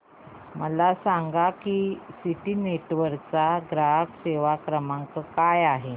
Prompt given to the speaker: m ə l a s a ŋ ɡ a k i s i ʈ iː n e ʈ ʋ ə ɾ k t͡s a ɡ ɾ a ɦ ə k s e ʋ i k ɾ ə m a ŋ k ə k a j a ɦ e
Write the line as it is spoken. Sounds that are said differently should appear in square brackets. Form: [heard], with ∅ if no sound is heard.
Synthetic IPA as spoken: m ə l a s a ŋ ɡ a k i s i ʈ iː n e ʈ ʋ ə ɾ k t͡s a ɡ ɾ a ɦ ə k s e ʋ [a] k ɾ ə m a ŋ k ə k a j a ɦ e